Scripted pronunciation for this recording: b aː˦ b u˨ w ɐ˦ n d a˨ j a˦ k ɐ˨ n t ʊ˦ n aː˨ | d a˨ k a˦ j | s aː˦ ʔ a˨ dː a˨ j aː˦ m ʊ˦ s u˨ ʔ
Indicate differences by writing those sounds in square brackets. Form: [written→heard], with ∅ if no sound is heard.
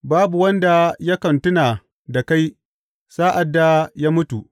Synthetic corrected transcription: b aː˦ b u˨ w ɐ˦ n d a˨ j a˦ k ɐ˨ n t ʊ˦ n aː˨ | d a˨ k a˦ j | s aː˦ ʔ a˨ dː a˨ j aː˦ m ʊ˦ [s→t] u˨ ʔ